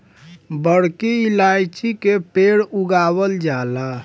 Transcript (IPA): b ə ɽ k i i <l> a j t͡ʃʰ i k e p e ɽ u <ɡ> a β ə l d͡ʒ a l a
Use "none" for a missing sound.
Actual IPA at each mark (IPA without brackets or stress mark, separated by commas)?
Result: l, ɡ